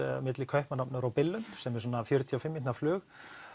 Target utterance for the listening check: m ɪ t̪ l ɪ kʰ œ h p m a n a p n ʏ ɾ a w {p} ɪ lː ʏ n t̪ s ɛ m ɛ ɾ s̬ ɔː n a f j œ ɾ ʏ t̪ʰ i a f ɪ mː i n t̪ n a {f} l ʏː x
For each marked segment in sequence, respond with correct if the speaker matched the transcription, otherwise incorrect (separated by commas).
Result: correct, correct